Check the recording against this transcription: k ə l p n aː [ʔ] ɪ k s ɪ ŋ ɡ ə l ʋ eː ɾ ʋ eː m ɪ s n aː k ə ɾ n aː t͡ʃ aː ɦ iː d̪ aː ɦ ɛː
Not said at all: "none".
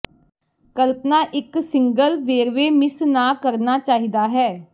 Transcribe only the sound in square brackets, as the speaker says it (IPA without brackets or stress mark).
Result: ʔ